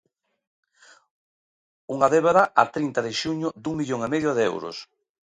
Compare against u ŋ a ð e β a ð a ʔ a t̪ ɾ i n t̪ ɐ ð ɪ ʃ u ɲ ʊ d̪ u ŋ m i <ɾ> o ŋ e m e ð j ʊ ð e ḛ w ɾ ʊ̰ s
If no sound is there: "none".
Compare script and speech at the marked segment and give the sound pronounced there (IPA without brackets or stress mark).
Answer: ʎ